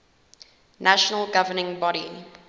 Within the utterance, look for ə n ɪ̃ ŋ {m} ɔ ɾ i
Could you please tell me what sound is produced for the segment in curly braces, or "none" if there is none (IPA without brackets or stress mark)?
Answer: b